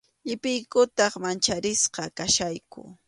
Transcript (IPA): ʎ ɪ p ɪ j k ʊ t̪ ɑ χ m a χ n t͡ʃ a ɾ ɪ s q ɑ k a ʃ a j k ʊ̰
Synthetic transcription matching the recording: ʎ ɪ p ɪ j k ʊ t̪ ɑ χ m a n t͡ʃ a ɾ ɪ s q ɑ k a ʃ a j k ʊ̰